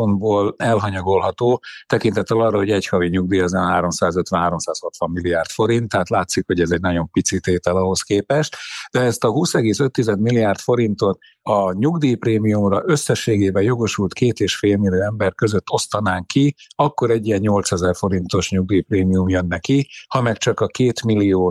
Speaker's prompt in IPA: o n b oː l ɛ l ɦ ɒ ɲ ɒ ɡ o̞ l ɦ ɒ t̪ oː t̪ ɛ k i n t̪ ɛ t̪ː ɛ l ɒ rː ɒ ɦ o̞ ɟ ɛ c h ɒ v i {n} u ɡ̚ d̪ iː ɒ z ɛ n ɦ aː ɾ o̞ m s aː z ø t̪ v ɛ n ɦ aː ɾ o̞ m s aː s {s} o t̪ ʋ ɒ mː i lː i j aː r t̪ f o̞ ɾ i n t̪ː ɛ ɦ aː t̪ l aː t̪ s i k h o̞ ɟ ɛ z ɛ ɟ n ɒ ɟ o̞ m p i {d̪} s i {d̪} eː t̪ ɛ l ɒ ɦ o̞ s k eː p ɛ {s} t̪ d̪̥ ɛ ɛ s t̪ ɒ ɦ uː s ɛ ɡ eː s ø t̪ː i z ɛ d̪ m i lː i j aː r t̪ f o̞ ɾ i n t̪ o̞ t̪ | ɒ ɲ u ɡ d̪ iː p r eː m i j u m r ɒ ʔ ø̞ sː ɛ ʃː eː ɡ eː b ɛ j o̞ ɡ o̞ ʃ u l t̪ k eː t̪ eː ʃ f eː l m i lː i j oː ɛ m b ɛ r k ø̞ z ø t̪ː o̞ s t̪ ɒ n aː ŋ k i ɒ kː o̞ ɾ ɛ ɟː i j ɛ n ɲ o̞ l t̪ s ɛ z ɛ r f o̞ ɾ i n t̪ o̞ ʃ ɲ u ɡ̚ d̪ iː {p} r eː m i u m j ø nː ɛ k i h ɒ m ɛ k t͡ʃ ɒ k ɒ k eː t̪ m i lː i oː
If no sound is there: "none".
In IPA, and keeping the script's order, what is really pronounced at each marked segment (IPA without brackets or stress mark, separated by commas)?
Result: ɲ, h, t̪, t̪, ʃ, p